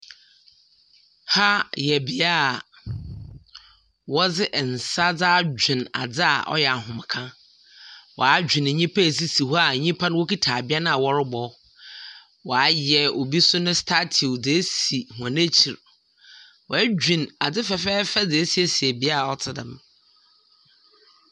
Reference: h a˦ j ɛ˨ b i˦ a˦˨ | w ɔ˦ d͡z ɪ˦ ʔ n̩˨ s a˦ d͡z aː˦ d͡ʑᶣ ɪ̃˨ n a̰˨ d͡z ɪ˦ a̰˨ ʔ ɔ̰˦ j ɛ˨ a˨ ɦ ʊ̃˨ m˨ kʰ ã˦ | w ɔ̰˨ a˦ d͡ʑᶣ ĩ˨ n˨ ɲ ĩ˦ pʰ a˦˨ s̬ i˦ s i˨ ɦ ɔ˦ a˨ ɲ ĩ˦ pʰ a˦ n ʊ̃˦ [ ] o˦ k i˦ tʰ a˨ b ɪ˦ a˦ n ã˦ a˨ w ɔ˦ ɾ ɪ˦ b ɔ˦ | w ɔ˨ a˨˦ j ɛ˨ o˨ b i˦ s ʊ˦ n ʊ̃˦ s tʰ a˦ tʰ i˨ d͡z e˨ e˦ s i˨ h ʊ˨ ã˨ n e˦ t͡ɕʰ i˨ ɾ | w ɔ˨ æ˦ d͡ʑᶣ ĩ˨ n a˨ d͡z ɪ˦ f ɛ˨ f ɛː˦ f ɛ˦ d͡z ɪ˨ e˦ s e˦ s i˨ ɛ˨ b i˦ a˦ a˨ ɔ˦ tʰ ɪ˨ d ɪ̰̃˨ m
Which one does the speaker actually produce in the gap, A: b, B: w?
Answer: B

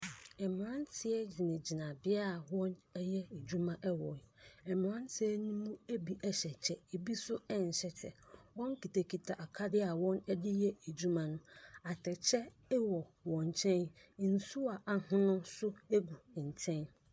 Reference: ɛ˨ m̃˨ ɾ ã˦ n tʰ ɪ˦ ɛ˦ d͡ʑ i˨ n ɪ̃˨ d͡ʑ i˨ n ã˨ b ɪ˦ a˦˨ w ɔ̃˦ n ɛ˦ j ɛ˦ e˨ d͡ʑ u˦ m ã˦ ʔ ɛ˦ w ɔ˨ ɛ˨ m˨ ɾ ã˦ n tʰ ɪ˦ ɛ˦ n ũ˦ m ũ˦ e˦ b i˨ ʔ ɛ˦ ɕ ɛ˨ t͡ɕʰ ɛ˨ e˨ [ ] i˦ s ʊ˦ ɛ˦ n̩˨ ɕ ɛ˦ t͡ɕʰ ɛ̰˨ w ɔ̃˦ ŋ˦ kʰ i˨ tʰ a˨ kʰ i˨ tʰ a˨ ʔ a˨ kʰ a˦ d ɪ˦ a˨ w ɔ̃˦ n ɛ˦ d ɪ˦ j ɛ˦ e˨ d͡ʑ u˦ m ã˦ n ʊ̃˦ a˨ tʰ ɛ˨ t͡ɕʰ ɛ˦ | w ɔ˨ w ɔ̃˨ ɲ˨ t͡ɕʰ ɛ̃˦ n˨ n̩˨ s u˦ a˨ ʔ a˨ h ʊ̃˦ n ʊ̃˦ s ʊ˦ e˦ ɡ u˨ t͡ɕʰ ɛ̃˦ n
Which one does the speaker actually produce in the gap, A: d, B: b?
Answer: B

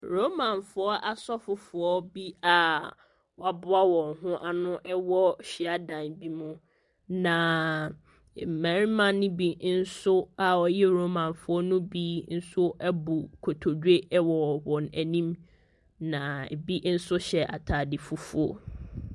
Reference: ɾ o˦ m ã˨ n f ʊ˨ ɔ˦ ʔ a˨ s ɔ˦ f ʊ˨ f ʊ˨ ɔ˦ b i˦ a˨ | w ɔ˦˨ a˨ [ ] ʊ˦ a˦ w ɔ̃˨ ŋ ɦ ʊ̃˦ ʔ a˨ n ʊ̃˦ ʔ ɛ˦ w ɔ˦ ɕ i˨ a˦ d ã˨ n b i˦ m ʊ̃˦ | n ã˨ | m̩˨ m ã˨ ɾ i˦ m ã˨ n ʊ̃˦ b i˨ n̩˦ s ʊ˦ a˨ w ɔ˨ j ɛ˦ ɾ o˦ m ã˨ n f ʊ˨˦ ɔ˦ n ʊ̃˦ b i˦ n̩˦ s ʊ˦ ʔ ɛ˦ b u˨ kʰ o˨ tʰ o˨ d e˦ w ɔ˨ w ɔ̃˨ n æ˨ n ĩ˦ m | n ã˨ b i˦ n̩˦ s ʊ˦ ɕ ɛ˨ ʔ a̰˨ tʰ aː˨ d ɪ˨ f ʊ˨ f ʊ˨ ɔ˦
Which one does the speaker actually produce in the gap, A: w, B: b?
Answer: B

